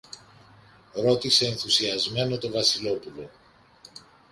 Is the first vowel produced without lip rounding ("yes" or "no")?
no